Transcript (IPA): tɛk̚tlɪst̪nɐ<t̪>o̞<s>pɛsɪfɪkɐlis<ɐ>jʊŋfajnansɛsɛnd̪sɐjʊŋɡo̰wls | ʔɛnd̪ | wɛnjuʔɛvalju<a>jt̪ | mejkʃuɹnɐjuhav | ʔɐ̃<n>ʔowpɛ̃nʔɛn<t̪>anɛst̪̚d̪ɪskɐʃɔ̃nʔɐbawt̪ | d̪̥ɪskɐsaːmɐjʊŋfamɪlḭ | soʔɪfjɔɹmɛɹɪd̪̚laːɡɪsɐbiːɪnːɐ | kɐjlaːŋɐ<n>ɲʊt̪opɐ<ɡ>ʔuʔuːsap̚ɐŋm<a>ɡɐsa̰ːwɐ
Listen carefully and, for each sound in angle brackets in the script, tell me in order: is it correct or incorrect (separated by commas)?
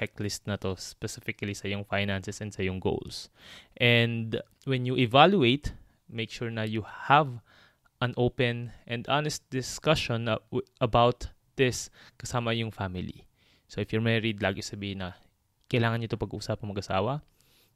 correct, correct, correct, incorrect, correct, incorrect, correct, correct, incorrect